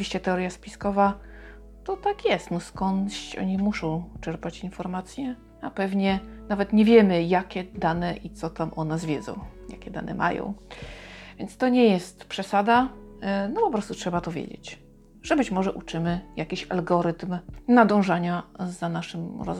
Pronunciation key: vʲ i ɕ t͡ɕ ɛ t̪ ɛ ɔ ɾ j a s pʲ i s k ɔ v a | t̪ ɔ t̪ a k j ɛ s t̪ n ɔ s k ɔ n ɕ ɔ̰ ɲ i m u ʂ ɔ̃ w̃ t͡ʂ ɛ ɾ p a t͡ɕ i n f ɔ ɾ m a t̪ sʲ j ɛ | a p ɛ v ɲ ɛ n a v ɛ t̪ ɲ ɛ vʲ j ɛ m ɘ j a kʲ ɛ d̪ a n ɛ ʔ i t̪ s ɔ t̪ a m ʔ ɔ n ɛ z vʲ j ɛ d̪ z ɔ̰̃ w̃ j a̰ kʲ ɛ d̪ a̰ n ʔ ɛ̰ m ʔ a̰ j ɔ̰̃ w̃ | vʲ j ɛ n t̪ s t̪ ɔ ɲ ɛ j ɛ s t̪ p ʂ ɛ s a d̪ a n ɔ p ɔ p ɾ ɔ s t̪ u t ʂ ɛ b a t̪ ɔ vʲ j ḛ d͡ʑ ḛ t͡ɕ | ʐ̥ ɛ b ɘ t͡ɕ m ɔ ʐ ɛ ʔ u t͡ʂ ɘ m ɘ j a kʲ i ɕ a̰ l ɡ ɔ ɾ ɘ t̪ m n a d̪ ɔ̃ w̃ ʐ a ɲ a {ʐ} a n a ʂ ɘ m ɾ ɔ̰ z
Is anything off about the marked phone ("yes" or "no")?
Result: yes